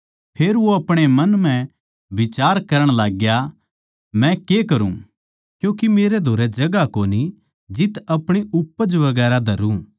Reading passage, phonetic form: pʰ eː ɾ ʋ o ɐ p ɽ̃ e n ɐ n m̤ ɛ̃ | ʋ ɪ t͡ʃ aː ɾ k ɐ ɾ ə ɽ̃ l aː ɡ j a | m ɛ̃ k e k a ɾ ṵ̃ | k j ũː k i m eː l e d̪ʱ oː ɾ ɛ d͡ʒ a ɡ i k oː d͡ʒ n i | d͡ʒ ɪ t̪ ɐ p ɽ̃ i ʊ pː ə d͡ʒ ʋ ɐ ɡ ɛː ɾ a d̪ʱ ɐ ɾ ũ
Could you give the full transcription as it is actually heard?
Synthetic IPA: pʰ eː ɾ ʋ o ɐ p ɽ̃ e m ɐ n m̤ ɛ̃ | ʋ ɪ t͡ʃ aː ɾ k ɐ ɾ ə ɽ̃ l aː ɡ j a | m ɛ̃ k e k ɐ ɾ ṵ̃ | k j ũː k i m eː ɾ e d̪ʱ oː ɾ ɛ d͡ʒ ɐ ɡ a k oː n i | d͡ʒ ɪ t̪ ɐ p ɽ̃ i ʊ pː ə d͡ʒ ʋ ɐ ɡ ɛː ɾ a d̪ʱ ɐ ɾ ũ